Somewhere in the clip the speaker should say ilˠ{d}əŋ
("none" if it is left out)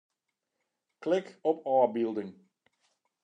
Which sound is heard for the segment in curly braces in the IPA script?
d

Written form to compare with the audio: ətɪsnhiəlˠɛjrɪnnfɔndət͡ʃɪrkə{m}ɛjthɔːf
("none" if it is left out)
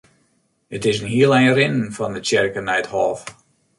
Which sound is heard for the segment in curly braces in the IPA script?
n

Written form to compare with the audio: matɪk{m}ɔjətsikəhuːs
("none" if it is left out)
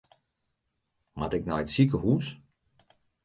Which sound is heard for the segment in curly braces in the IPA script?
n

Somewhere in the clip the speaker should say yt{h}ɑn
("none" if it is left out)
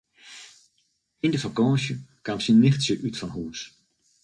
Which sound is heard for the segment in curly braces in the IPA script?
f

